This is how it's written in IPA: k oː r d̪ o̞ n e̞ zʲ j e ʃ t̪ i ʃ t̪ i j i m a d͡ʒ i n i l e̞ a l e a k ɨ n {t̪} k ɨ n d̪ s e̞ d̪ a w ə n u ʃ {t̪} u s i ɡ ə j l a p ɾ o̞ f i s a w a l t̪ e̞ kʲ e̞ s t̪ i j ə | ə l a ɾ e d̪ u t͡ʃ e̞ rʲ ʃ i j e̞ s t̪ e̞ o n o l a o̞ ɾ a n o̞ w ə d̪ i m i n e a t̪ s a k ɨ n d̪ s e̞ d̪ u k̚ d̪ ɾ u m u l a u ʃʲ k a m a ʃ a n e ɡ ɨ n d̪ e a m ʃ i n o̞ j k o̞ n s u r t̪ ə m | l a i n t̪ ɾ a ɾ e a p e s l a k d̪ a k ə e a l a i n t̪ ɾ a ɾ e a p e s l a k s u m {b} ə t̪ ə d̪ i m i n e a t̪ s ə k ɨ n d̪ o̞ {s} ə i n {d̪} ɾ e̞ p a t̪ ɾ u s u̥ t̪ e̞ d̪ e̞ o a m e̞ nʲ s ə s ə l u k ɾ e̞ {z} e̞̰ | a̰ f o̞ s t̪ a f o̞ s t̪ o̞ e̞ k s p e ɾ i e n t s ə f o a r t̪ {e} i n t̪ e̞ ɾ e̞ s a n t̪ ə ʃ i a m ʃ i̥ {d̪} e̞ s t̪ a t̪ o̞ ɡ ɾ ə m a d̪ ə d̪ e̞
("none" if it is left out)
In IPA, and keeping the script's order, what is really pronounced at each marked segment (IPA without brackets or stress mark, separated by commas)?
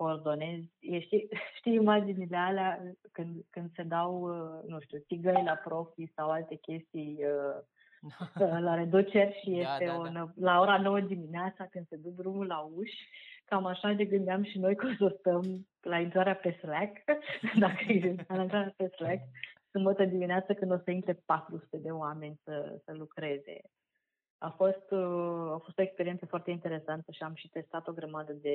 d̪, t̪, b, s, t̪, z, e, t̪